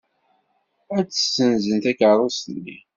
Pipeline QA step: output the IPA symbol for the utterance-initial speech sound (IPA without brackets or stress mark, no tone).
æ